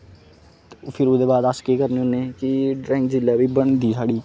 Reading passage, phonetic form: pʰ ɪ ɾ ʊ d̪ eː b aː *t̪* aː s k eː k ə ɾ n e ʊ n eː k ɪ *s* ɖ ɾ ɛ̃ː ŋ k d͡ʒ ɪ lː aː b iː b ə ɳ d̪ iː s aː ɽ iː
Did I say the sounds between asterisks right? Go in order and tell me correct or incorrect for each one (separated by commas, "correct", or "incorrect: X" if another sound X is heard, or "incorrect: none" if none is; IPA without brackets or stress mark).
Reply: incorrect: d̪, incorrect: none